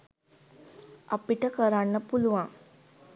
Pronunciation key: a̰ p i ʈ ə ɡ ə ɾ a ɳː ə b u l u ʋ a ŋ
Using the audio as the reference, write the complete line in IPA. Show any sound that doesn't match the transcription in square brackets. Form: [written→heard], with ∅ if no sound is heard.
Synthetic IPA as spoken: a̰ p i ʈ ə [ɡ→k] ə ɾ a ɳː ə [b→p] u l u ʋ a ŋ